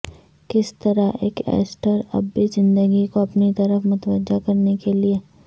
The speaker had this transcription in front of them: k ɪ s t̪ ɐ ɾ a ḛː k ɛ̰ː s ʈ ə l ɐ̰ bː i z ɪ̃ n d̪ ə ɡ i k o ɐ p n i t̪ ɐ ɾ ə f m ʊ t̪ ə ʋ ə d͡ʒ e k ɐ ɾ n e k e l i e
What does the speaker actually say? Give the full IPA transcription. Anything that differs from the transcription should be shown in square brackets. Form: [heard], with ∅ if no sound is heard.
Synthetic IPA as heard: k ɪ s t̪ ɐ ɾ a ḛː k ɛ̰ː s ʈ ə [ɾ] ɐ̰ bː i z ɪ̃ n d̪ ə ɡ i k o ɐ p n i t̪ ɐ ɾ ə f m ʊ t̪ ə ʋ ə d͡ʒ [a] k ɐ ɾ n e k e l i e